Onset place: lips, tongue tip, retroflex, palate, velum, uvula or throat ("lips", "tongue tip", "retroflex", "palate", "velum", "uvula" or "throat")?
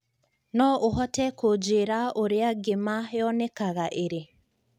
tongue tip